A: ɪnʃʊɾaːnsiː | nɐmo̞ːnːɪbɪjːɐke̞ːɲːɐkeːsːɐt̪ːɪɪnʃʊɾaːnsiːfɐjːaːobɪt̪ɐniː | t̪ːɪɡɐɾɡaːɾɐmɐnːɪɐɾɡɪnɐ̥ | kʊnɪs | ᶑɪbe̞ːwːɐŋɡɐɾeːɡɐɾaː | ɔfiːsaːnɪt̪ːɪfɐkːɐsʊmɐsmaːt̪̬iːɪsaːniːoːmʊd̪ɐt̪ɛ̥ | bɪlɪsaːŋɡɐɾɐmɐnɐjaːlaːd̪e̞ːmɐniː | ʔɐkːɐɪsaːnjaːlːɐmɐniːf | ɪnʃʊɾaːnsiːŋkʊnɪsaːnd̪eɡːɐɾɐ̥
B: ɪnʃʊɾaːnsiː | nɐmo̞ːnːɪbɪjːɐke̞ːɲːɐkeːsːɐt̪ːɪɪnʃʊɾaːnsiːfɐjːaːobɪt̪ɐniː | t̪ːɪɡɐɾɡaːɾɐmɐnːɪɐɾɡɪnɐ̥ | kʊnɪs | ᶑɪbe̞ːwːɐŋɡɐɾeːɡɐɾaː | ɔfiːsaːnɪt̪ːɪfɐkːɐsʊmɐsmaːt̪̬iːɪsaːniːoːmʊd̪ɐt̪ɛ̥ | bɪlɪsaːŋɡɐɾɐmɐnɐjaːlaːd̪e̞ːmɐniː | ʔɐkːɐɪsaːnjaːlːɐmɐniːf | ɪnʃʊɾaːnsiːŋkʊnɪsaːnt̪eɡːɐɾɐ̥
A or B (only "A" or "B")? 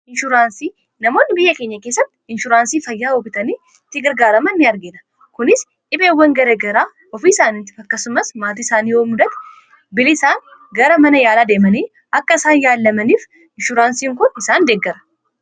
A